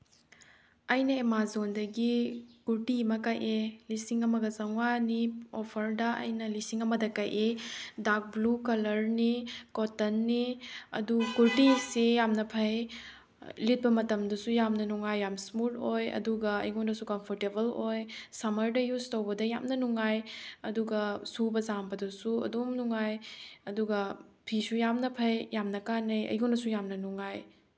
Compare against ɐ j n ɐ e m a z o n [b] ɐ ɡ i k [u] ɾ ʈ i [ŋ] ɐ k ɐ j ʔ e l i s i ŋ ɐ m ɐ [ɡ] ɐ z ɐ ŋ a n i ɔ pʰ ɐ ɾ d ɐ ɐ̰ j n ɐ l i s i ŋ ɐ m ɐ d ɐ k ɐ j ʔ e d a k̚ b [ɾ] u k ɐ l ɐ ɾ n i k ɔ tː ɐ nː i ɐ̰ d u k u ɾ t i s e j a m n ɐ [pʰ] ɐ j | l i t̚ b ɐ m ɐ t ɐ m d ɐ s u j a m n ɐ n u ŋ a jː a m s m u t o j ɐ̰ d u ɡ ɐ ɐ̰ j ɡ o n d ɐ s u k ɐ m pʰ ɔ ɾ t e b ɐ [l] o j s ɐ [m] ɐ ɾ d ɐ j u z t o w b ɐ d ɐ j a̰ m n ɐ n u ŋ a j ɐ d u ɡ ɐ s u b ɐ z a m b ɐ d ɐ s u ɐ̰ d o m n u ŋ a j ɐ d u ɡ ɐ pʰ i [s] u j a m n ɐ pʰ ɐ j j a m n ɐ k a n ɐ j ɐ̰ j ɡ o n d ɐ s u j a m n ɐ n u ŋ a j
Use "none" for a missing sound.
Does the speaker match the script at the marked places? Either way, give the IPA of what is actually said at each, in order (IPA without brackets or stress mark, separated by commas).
d, u, m, ɡ, l, pʰ, l, m, s